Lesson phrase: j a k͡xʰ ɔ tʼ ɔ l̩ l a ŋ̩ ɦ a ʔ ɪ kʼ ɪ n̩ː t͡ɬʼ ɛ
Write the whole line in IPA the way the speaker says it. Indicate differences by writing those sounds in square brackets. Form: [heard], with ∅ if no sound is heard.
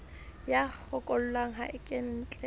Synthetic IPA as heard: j a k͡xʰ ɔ [kʼ] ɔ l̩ l a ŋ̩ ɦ a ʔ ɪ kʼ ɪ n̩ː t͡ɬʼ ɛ

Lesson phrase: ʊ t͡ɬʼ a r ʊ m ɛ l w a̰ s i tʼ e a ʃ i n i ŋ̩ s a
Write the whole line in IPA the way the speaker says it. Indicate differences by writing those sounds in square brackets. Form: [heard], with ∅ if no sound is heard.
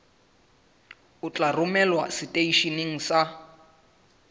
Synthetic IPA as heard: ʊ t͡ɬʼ a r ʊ m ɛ l w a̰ s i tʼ e [i] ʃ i n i ŋ̩ s a

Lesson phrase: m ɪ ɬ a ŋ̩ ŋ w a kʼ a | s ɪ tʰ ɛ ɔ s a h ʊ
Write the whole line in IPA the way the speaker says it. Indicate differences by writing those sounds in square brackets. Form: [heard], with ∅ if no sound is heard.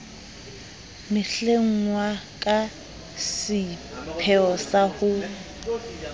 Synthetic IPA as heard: m ɪ ɬ [e] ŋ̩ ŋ w a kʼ a | s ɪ [pʰ] ɛ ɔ s a h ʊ

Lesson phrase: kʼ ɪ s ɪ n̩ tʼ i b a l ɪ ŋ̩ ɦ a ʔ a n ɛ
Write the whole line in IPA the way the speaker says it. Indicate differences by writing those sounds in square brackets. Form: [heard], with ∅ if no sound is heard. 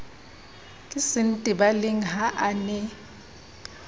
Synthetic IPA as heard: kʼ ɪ s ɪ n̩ tʼ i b a l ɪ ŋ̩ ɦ a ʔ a n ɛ

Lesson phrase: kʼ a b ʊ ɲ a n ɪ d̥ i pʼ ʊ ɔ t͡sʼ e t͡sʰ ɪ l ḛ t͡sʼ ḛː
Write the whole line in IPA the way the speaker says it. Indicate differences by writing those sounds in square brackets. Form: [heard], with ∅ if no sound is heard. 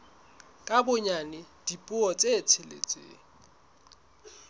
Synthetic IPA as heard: kʼ a b ʊ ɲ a n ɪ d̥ i pʼ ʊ ɔ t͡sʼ e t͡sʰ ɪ l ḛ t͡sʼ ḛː

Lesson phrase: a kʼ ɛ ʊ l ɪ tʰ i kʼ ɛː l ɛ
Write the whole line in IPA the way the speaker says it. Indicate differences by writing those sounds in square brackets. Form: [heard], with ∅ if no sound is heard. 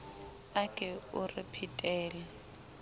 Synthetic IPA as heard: a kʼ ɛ ʊ [r] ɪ [pʰ] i [tʼ] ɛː l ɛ

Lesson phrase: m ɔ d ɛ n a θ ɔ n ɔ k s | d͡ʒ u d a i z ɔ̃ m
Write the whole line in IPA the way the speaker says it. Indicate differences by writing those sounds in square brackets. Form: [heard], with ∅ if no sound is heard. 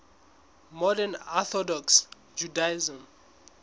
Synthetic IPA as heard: m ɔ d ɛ n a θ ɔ [d] ɔ k s | d͡ʒ u d a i z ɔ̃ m

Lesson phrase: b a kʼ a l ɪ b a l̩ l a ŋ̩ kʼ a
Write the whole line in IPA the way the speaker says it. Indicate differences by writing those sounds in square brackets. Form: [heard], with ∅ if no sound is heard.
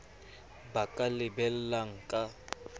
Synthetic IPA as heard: b a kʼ a l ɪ b [ɛ] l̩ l a ŋ̩ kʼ a

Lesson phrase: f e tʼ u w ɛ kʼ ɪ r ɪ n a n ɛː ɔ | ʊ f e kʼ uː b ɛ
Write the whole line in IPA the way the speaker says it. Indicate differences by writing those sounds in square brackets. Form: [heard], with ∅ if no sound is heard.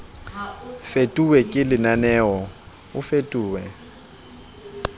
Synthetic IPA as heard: f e tʼ u w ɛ kʼ ɪ [l] ɪ n a n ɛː ɔ | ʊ f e [tʼ] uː [w] ɛ

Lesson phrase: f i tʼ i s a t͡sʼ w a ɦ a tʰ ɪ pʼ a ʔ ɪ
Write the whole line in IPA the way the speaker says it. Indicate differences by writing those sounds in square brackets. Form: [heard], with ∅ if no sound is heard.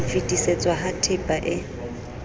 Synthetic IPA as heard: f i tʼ i s [e] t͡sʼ w a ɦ a tʰ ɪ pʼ a ʔ ɪ

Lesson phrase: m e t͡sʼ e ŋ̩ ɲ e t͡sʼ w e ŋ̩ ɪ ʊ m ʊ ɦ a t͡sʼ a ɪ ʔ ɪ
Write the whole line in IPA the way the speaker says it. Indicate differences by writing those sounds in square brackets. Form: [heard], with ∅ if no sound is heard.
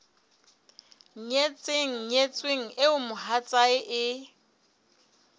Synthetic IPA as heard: [ɲ] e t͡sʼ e ŋ̩ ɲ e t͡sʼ w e ŋ̩ ɪ ʊ m ʊ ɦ a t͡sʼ a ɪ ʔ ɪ

